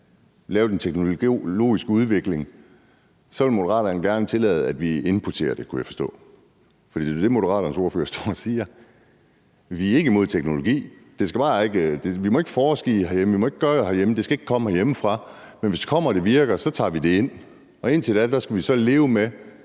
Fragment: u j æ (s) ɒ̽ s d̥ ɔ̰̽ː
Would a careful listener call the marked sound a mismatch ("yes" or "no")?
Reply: yes